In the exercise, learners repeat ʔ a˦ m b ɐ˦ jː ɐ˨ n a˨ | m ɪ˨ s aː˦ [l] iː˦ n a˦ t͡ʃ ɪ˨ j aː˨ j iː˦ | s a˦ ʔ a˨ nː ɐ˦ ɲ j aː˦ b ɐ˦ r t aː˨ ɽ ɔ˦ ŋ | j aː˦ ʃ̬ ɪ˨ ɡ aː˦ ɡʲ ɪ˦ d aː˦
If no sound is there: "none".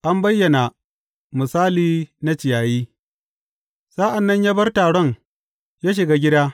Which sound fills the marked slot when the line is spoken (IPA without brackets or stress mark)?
l